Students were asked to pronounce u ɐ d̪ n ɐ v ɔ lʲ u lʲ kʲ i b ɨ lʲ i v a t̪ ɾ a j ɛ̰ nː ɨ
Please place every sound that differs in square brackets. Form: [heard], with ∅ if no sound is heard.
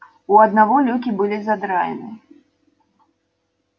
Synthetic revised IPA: u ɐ d̪ n [a] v ɔ lʲ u [∅] kʲ i b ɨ lʲ i [z] a [d̪] ɾ a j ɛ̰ [n] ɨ